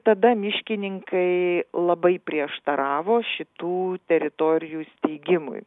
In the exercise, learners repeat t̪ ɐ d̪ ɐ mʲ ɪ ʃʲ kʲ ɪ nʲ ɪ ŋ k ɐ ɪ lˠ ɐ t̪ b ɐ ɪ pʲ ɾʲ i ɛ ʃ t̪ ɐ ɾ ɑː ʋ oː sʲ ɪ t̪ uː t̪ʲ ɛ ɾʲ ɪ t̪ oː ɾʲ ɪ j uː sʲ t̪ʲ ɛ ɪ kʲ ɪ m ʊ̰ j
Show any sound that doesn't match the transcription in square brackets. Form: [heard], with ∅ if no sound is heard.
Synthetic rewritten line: t̪ ɐ d̪ ɐ mʲ ɪ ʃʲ kʲ ɪ nʲ ɪ ŋ k ɐ ɪ lˠ ɐ [∅] b ɐ ɪ pʲ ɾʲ i ɛ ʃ t̪ ɐ ɾ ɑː ʋ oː [ʃʲ] ɪ t̪ uː t̪ʲ ɛ ɾʲ ɪ t̪ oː ɾʲ ɪ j uː sʲ t̪ʲ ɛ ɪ [ɡʲ] ɪ m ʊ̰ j